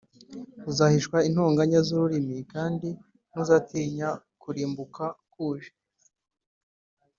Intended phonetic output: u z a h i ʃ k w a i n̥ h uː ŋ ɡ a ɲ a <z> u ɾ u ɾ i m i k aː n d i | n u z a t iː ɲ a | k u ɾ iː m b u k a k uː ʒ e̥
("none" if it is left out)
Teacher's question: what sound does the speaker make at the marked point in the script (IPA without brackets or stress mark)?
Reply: z